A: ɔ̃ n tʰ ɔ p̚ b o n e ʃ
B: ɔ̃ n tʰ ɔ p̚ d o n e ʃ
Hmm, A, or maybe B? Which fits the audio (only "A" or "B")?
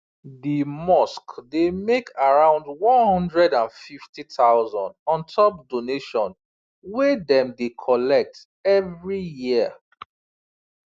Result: B